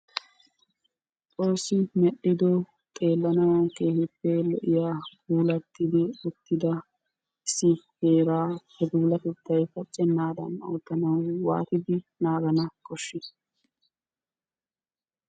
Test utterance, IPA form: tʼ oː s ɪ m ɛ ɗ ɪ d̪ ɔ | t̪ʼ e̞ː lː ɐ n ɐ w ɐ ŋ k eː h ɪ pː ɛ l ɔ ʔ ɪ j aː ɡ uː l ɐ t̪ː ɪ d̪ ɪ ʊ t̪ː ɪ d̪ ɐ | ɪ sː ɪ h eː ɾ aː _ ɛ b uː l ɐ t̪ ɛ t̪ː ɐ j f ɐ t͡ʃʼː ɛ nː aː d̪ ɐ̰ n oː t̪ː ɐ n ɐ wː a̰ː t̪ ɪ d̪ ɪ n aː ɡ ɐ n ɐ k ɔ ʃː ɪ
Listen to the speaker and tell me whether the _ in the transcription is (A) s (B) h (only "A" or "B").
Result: B